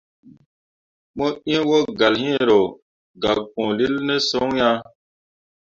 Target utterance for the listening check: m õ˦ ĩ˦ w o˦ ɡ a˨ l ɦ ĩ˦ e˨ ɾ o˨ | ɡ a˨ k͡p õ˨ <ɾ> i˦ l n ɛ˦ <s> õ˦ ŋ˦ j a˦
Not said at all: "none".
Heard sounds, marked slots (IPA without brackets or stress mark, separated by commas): l, s